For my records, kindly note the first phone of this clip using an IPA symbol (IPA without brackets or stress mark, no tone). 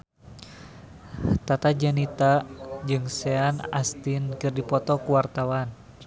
t̪